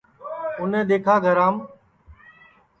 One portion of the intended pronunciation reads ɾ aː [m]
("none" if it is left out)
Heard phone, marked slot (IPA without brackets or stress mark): m